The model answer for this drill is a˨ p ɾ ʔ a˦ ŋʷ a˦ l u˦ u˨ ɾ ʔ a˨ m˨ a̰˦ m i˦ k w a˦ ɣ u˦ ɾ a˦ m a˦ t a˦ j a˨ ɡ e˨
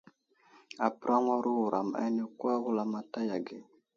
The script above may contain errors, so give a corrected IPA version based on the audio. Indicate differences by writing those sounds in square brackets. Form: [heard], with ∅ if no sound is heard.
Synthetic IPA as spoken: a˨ p ɾ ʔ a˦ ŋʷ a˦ [ɾ] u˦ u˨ ɾ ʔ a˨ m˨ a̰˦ [n] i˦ k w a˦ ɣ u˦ [l] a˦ m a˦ t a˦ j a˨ ɡ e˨